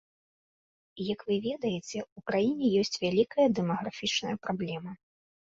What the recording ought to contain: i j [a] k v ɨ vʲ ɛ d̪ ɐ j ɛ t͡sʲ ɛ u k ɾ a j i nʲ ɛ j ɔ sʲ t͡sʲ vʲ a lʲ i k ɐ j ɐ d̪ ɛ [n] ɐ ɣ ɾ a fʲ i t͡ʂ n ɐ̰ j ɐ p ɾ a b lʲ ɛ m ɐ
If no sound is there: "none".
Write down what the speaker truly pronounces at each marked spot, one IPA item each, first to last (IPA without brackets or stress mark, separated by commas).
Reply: ɐ, m